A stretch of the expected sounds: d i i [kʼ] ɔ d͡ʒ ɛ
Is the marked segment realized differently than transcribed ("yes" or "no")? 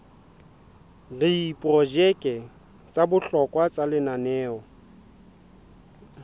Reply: yes